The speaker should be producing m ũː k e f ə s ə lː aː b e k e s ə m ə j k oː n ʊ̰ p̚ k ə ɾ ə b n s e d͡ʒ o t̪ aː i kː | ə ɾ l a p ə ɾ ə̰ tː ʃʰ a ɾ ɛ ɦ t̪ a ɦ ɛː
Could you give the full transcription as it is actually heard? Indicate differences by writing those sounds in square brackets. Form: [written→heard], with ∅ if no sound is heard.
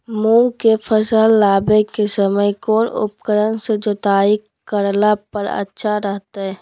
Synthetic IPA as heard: m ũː k e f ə s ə lː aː b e k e s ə m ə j k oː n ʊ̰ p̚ k ə ɾ ə [b→∅] n s e d͡ʒ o t̪ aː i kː | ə ɾ l a p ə ɾ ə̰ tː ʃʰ a ɾ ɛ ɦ t̪ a ɦ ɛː

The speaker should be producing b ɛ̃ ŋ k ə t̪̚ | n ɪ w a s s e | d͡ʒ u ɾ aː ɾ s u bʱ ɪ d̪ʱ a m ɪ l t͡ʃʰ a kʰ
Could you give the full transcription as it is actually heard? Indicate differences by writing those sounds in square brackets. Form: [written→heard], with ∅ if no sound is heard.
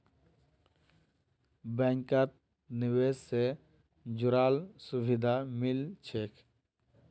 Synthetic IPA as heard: b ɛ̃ ŋ k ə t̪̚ | n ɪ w [a→e] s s e | d͡ʒ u ɾ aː [ɾ→l] s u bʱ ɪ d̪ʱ a m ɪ l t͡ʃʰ [a→e] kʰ

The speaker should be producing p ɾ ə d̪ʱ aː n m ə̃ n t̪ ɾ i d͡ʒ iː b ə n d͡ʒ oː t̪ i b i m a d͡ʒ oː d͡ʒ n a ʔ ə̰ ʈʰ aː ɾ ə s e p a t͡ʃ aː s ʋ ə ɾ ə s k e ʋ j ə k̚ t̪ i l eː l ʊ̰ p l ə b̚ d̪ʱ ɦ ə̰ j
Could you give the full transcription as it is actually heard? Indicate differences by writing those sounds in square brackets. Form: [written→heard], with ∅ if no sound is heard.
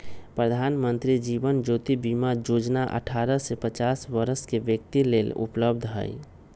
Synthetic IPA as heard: p ɾ ə d̪ʱ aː n m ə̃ n t̪ ɾ i d͡ʒ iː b ə n d͡ʒ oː t̪ i b i m a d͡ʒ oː d͡ʒ n a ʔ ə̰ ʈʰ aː ɾ ə s e p [a→ə] t͡ʃ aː s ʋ ə ɾ ə s k e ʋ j ə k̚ t̪ i l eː l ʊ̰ p l ə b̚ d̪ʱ ɦ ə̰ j

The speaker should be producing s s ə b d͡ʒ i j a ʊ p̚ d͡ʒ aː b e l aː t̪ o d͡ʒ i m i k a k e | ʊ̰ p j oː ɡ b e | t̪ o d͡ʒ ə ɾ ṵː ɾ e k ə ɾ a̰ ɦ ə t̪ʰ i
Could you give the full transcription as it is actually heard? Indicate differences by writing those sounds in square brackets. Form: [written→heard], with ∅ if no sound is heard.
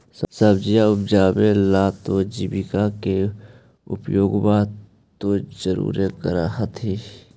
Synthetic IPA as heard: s s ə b d͡ʒ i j a ʊ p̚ d͡ʒ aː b e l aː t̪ o d͡ʒ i [m→b] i k a k e | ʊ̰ p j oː ɡ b [e→a] | t̪ o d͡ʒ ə ɾ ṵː ɾ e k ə ɾ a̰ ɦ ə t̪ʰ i

